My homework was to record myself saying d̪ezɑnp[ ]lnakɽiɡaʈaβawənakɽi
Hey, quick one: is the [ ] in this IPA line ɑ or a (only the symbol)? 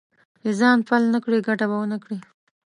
a